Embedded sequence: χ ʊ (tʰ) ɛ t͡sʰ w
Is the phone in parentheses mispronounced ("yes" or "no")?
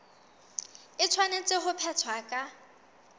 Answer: yes